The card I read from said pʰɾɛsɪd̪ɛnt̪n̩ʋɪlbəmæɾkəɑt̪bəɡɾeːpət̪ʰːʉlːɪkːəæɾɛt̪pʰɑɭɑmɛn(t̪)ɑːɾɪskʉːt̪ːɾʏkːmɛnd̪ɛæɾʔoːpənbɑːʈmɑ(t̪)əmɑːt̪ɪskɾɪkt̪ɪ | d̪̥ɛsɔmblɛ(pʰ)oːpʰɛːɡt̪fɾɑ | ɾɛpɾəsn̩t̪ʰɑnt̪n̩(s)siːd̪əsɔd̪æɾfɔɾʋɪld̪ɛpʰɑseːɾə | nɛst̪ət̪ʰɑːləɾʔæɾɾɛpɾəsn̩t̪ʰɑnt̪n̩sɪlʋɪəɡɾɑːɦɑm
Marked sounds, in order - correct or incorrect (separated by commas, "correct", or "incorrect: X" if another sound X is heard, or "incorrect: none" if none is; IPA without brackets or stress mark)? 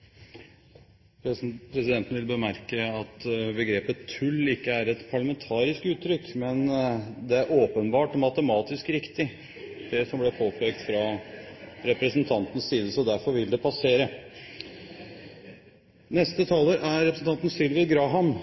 incorrect: t̪ʰ, correct, correct, correct